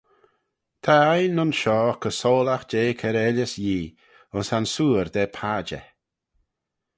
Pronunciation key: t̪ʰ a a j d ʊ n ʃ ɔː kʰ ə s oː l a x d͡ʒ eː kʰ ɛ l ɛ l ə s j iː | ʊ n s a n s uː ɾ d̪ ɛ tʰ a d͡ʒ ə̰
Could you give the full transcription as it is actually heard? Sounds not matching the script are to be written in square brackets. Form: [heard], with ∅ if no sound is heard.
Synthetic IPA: t̪ʰ a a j [n] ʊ n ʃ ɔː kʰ ə s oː l a x d͡ʒ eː kʰ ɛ [ɾ] ɛ l ə s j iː | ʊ n s a n s uː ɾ d̪ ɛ [pʰ] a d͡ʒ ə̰